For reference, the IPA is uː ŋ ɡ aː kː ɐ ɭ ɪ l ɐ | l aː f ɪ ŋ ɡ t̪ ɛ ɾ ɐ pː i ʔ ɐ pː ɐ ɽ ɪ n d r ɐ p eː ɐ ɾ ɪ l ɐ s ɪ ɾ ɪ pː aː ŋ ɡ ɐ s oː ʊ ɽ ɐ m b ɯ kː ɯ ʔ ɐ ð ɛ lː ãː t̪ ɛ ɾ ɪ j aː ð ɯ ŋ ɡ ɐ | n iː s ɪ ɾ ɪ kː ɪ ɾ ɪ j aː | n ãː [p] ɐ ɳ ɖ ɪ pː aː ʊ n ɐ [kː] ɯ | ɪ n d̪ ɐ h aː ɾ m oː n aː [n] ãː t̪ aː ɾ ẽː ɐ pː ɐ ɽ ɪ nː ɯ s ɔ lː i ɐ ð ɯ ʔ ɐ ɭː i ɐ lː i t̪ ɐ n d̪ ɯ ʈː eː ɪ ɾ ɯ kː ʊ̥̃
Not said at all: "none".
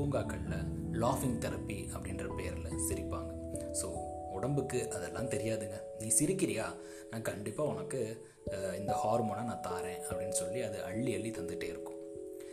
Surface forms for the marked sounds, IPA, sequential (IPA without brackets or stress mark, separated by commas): k, kː, n